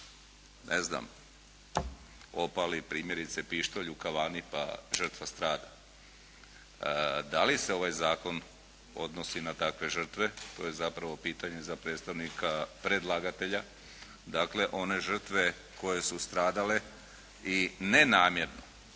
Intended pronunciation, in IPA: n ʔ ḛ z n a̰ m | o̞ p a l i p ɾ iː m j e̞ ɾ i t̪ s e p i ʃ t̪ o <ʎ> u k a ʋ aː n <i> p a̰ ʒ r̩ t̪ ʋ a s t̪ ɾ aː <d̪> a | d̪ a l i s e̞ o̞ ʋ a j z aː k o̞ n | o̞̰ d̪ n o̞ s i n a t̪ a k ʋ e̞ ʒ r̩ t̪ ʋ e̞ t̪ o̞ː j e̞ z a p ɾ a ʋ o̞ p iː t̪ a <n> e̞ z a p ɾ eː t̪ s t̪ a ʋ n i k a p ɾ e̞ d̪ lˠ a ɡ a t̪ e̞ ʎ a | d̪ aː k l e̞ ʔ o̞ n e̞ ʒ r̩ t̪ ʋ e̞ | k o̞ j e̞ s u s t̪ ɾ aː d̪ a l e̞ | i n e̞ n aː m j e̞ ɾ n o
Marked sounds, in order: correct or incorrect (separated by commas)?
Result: correct, correct, correct, incorrect